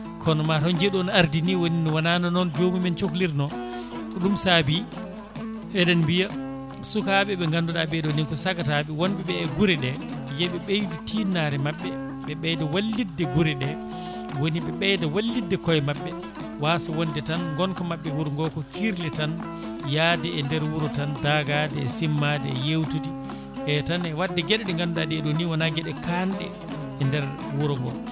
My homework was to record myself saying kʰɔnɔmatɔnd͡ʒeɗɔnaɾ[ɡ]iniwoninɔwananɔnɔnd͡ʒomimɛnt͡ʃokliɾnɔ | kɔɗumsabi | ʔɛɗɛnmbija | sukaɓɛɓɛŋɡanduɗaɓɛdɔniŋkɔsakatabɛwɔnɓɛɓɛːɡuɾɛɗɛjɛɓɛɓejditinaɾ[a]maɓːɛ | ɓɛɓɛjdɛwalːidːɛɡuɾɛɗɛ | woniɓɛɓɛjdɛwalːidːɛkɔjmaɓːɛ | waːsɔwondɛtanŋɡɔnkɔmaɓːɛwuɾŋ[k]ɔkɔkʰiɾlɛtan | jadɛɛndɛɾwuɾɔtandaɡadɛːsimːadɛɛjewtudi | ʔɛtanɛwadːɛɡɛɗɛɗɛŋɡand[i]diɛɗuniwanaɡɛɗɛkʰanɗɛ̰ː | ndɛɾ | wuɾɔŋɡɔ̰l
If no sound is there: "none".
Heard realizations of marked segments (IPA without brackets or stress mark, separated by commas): d, ɛ, ɡ, a